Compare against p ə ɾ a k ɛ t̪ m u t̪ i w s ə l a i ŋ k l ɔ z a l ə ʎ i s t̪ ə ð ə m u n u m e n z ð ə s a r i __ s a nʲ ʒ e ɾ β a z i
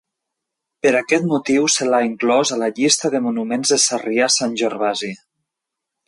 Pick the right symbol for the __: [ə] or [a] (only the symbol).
a